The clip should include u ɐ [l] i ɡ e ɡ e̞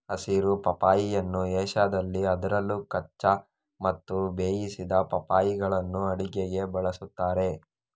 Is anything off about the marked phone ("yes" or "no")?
yes